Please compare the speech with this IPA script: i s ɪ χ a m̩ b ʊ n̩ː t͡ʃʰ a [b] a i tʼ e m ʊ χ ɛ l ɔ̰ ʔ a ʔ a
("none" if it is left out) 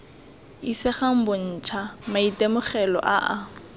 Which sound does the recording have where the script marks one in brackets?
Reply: m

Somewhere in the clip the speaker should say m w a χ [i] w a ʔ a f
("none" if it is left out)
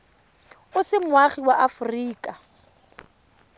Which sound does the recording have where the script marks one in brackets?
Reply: i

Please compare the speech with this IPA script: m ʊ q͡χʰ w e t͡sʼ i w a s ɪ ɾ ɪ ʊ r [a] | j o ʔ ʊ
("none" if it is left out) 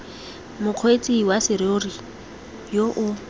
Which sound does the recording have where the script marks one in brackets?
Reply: i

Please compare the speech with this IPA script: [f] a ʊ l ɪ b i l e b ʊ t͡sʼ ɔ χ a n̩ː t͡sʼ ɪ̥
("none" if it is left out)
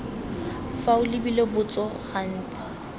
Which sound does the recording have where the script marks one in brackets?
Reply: f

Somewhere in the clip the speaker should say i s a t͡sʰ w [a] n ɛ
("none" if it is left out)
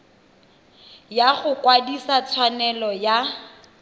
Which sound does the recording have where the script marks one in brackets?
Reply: a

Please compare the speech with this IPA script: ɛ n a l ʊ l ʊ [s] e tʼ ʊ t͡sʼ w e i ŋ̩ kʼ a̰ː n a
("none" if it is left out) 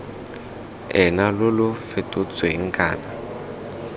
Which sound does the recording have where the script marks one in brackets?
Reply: f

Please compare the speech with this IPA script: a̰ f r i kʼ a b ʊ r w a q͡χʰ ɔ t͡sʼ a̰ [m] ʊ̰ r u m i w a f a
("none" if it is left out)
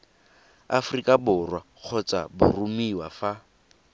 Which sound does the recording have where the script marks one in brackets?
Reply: b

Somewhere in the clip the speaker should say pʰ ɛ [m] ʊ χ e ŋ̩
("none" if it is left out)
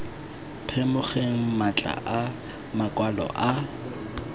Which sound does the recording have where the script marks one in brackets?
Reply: m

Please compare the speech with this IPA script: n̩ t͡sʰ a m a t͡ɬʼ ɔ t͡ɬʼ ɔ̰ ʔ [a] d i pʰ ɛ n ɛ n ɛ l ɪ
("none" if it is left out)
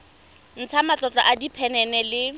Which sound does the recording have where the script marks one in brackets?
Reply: a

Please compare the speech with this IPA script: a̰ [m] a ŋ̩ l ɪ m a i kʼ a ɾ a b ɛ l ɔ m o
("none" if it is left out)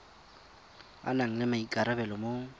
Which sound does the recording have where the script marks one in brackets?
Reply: n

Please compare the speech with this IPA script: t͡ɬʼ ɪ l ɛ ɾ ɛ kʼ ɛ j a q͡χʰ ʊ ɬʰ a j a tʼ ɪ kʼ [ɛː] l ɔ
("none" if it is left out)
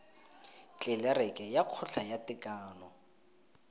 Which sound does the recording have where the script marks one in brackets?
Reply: aː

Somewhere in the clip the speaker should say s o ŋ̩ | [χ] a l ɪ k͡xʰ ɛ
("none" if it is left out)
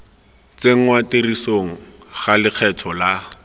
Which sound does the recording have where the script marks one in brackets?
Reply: χ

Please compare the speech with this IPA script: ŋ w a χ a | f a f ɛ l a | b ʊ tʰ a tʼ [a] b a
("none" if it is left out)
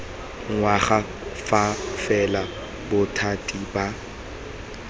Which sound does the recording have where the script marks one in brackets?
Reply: i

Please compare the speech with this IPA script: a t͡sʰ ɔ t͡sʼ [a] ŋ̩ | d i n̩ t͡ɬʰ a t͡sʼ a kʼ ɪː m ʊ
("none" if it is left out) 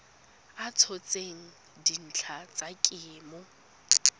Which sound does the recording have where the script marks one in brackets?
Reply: e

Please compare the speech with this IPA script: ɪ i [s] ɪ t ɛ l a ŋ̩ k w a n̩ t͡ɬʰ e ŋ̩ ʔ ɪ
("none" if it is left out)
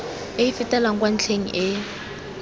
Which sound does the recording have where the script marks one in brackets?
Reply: f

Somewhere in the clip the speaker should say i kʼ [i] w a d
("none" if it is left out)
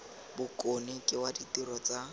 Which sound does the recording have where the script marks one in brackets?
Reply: ɪ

